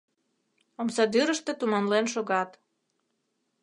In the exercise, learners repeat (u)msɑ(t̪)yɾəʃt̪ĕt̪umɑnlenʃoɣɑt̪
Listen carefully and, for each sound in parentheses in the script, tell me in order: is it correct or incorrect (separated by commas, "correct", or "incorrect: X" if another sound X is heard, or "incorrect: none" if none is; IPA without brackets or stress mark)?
incorrect: o, incorrect: d̪